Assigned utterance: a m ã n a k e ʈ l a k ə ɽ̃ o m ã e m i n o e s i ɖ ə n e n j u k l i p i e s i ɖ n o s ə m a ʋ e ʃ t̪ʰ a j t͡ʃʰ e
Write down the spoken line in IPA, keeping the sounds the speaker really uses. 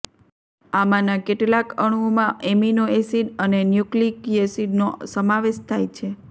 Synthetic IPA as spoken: a m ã n a k e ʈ l a k ə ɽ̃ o m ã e m i n o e s i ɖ ə n e n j u k l i k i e s i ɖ n o s ə m a ʋ e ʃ t̪ʰ a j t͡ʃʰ e